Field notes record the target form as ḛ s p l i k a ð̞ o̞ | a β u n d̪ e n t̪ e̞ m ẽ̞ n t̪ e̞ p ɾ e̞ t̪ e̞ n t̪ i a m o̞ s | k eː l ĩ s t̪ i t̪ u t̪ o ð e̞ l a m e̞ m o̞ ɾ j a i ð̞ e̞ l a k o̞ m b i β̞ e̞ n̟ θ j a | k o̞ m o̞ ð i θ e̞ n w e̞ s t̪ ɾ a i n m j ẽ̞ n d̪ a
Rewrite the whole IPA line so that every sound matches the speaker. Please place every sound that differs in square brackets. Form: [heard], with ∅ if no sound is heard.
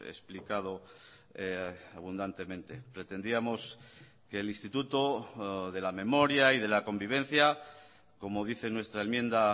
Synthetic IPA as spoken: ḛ s p l i k a ð̞ o̞ | a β u n d̪ [a] n t̪ e̞ m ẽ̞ n t̪ e̞ p ɾ e̞ t̪ e̞ n [d̪] i a m o̞ s | k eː l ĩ s t̪ i t̪ u t̪ o ð e̞ l a m e̞ m o̞ ɾ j a i ð̞ e̞ l a k o̞ m b i β̞ e̞ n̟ θ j a | k o̞ m o̞ ð i θ e̞ n w e̞ s t̪ ɾ a [e] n m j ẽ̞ n d̪ a